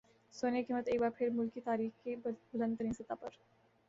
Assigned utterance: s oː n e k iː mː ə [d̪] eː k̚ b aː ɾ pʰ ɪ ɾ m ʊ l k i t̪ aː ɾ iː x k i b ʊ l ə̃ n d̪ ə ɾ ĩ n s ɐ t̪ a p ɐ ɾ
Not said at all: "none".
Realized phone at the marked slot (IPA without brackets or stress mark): t̪